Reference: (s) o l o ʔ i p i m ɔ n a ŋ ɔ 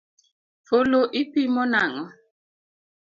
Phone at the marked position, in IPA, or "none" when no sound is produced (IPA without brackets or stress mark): f